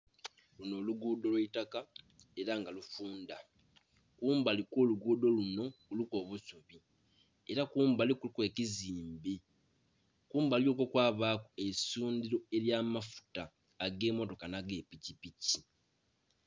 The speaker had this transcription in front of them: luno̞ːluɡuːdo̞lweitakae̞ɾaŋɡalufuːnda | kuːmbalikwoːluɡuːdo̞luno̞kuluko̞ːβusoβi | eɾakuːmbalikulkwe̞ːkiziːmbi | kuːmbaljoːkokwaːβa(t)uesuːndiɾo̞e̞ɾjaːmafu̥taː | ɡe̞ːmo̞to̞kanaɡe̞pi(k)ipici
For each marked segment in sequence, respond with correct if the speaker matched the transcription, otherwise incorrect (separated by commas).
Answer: incorrect, incorrect